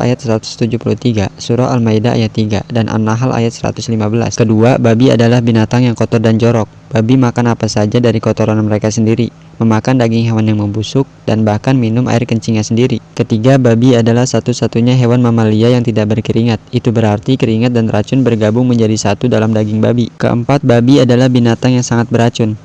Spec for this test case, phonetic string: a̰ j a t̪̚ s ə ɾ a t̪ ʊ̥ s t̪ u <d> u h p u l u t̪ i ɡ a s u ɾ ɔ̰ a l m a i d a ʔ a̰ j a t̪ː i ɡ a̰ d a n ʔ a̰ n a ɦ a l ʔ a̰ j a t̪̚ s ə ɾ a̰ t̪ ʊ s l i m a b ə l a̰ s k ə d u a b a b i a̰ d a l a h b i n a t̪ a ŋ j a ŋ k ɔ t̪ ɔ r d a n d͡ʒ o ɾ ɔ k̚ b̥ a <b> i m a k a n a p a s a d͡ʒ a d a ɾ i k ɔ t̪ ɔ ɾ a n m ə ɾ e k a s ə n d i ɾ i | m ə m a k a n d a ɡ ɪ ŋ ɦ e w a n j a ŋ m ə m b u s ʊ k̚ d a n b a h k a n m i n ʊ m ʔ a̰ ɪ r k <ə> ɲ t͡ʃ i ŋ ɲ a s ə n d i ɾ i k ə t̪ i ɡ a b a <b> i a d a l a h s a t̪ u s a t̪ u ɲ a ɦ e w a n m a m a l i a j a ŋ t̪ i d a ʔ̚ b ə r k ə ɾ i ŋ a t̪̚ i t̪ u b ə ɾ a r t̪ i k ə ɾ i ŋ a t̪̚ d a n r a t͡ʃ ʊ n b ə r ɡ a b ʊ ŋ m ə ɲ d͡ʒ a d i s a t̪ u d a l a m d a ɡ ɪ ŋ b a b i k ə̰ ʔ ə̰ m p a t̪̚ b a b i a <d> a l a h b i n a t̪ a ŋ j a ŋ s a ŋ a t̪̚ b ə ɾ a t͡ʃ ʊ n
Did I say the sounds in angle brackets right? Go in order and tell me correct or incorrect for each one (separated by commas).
incorrect, correct, correct, correct, correct